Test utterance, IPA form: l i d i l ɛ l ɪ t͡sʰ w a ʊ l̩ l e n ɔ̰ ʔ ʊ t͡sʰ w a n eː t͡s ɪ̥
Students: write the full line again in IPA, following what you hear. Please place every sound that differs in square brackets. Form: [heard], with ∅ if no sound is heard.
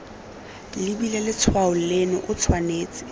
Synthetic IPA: l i [b] i l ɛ l ɪ t͡sʰ w a ʊ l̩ l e n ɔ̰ ʔ ʊ t͡sʰ w a n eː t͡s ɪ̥